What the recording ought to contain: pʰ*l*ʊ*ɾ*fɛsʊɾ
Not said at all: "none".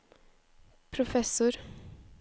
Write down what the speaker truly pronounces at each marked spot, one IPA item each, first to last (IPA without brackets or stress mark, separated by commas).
ɾ, none